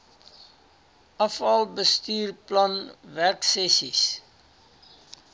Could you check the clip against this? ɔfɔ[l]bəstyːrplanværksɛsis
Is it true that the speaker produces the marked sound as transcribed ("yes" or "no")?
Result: yes